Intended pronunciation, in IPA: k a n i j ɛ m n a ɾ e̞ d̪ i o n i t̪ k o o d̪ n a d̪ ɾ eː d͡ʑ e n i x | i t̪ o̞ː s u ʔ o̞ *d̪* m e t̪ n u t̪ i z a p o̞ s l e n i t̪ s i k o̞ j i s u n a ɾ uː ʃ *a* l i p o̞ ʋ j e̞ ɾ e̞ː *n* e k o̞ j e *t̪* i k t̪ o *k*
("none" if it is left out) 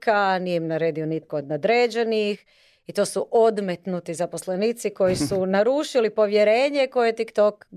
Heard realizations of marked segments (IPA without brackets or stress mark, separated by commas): d̪, i, ɲ, t̪, k